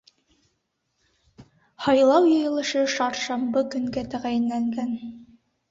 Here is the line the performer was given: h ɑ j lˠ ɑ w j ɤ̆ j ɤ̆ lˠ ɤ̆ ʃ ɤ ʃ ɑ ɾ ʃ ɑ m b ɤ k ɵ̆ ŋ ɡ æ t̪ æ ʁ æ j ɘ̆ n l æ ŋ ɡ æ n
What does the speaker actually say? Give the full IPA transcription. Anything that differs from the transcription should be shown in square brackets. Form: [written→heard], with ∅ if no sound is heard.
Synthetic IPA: h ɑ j lˠ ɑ w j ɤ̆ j ɤ̆ lˠ ɤ̆ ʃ ɤ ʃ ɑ ɾ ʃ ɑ m b ɤ k ɵ̆ ŋ ɡ æ t̪ æ ʁ æ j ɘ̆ n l æ ŋ ɡ æ n